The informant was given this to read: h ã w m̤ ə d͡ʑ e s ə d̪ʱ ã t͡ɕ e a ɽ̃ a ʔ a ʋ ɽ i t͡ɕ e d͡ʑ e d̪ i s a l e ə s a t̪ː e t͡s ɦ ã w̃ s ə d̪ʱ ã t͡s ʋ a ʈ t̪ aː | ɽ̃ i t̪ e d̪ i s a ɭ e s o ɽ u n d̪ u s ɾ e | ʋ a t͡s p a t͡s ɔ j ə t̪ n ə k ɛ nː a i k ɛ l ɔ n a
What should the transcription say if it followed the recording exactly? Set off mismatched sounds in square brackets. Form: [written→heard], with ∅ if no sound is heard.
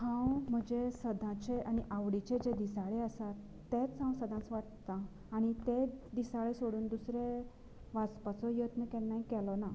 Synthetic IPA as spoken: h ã w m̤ ə d͡ʑ e s ə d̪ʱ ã t͡ɕ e a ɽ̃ [a→i] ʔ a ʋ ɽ i t͡ɕ e d͡ʑ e d̪ i s a [l→ɭ] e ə s a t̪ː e t͡s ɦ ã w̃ s ə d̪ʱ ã t͡s ʋ a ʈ t̪ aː | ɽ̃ i t̪ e d̪ i s a ɭ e s o ɽ [u→uː] n d̪ u s ɾ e | ʋ a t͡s p a t͡s ɔ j ə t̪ n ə k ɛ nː a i k ɛ l ɔ n a